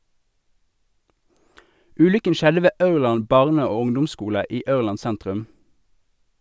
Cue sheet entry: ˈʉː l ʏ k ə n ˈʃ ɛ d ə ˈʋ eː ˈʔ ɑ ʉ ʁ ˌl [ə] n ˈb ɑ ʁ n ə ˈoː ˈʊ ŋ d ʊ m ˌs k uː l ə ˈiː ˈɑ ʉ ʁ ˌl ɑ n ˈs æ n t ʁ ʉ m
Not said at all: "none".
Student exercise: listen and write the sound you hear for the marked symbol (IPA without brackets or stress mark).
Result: ɑ